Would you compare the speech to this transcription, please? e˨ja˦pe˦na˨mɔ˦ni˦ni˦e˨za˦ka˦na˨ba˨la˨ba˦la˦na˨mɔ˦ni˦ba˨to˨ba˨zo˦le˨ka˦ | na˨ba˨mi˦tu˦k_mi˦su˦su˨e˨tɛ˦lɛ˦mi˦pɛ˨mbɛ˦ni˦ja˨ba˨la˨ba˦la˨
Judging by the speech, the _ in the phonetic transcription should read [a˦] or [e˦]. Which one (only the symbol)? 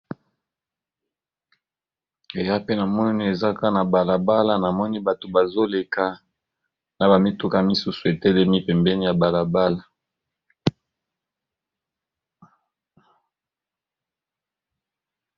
a˦